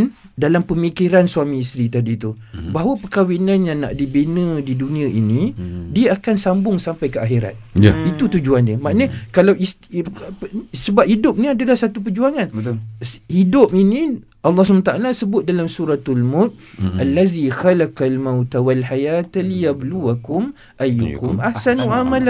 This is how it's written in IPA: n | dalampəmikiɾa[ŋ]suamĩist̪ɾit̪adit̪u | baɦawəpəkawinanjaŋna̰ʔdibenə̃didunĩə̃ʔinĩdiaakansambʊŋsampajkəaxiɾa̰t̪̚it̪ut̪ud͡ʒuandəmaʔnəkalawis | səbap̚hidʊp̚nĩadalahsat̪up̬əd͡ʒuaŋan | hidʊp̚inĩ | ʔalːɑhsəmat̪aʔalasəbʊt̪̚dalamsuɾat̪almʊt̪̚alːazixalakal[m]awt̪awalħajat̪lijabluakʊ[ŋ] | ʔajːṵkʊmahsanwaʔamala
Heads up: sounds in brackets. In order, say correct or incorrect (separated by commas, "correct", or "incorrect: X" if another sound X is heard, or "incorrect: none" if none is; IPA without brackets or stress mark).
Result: incorrect: n, correct, incorrect: m